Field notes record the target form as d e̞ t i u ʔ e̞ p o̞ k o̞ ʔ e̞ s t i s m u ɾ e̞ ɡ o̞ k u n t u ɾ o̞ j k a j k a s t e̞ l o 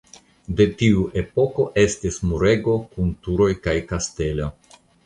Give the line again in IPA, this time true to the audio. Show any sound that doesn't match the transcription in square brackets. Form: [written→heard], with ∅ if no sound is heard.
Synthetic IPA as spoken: d e̞ t i u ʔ e̞ p o̞ k o̞ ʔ e̞ s t i s m u ɾ e̞ ɡ o̞ k u n t u ɾ o̞ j k a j k a s t e̞ l o

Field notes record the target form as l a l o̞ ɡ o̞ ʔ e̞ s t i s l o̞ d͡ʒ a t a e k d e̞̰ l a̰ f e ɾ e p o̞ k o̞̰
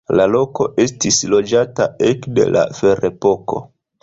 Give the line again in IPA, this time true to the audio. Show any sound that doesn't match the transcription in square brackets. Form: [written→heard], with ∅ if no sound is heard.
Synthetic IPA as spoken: l a l o̞ [ɡ→k] o̞ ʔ e̞ s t i s l o̞ d͡ʒ a t a e k d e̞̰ l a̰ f e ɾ e p o̞ k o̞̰

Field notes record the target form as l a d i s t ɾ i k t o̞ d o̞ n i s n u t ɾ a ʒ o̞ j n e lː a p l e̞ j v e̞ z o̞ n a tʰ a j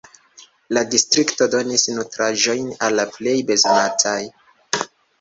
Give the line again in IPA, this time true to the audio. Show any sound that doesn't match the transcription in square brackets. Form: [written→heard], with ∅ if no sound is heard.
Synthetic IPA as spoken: l a d i s t ɾ i k t o̞ d o̞ n i s n u t ɾ a ʒ o̞ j n [e→a] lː a p l e̞ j [v→b] e̞ z o̞ n a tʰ a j

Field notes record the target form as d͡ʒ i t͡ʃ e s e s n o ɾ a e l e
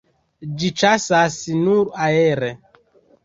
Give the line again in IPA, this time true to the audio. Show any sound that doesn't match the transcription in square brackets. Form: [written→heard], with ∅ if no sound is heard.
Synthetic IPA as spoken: d͡ʒ i t͡ʃ [e→a] s [e→a] s n [o→u] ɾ a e [l→ɾ] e

